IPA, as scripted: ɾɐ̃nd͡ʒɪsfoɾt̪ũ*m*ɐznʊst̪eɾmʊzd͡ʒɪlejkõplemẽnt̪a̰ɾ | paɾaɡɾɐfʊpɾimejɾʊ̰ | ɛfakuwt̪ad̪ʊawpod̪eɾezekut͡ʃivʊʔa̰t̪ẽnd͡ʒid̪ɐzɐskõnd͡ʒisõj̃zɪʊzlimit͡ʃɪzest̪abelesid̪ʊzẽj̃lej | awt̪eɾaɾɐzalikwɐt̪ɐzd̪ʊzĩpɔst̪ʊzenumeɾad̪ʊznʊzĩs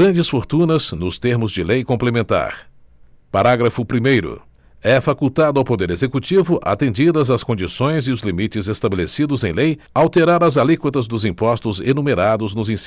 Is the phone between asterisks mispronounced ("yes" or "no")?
yes